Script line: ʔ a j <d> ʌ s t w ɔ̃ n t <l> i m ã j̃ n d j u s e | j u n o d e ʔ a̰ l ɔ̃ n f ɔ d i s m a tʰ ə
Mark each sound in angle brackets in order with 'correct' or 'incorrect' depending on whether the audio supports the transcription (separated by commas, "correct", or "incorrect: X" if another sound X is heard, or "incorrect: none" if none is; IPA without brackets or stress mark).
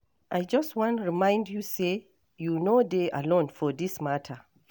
incorrect: d͡ʒ, incorrect: ɹ